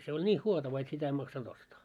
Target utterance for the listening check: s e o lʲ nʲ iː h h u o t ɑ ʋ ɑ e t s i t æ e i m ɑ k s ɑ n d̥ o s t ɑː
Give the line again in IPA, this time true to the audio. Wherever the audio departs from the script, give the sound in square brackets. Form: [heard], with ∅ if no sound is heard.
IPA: s e o lʲ nʲ iː h h u o t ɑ ʋ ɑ e t s i t æ e i m ɑ k s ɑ n d̥ o s t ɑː